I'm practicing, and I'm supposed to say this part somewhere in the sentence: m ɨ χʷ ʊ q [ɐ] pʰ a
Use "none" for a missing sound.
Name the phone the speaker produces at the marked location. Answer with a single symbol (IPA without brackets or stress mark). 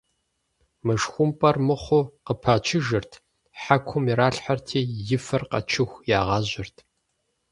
ə